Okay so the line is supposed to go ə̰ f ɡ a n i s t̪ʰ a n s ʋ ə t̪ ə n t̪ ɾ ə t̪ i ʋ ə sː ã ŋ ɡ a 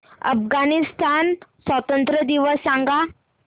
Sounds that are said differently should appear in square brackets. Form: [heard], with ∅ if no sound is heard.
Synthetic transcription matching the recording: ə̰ f ɡ a n i s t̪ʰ a n s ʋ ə t̪ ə n t̪ ɾ ə [d̪] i ʋ ə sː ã ŋ ɡ a